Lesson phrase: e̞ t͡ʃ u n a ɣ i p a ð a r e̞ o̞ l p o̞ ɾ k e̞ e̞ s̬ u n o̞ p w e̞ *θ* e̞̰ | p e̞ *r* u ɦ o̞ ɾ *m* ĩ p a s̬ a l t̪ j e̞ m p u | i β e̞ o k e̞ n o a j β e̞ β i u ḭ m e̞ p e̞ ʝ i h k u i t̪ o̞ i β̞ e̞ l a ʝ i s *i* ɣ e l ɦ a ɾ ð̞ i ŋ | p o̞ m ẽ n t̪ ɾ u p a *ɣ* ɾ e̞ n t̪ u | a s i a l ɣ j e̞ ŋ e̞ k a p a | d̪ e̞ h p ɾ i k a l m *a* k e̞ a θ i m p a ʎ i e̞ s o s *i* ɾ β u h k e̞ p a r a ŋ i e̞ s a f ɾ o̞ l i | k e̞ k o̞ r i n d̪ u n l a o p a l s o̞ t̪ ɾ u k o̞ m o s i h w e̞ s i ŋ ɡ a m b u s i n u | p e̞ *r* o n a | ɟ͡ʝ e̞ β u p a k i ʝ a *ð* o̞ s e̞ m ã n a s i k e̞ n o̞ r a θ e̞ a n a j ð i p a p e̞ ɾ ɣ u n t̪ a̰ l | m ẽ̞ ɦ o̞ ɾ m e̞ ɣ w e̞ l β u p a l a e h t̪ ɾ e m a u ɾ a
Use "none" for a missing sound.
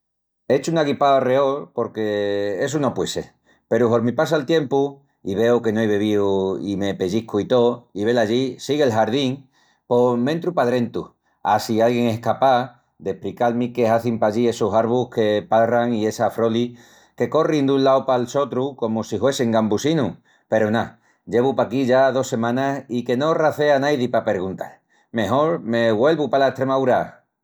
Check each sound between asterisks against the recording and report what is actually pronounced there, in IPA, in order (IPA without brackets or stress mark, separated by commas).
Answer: s, ɾ, m, i, ð, i, a, ɾ, ð